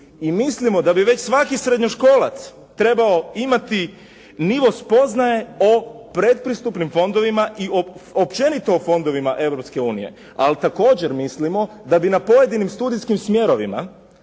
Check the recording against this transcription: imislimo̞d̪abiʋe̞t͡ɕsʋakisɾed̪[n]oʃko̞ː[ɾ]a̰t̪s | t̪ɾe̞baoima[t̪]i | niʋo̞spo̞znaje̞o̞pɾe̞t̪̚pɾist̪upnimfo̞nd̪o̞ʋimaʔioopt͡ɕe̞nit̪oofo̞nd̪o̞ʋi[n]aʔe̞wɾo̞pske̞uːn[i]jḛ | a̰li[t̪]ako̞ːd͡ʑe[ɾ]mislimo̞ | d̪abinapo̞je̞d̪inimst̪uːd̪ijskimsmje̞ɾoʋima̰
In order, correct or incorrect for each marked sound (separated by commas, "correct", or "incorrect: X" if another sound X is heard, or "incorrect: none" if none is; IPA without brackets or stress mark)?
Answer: incorrect: ɲ, incorrect: l, correct, incorrect: m, correct, correct, correct